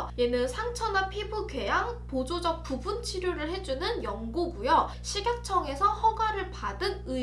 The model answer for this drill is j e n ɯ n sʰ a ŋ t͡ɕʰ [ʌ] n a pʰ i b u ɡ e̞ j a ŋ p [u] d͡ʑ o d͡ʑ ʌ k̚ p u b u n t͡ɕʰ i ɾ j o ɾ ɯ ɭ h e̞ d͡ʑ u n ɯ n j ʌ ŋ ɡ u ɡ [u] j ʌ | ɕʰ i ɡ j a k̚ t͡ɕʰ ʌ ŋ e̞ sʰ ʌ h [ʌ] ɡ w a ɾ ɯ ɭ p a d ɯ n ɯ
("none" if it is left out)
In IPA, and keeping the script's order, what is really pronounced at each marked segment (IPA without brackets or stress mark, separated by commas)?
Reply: ʌ, o, u, ʌ